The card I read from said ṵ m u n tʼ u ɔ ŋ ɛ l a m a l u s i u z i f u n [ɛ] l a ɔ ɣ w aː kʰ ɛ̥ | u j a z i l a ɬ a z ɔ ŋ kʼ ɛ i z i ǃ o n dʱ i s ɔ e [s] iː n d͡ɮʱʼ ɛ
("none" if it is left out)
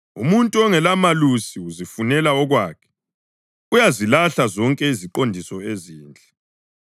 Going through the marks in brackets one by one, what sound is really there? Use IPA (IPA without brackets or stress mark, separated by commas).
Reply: ɛ, z